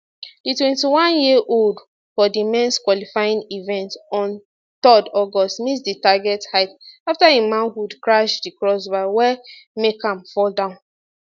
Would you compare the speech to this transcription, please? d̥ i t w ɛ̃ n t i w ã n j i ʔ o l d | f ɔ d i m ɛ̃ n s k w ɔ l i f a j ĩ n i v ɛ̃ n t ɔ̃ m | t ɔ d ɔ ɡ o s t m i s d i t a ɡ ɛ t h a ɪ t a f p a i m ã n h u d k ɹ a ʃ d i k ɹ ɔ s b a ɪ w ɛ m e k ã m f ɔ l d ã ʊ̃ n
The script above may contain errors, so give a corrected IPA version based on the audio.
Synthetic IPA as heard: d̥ i t w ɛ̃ n t i w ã n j i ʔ o l d | f ɔ d i m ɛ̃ n s k w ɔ l i f a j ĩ n i v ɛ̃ n t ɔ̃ n | t ɔ d ɔ ɡ ɔ s t m i s d i t a ɡ ɛ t h a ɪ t a f t a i m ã n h u d k ɹ a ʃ d i k ɹ ɔ s b a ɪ w ɛ m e k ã m f ɔ l d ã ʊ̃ n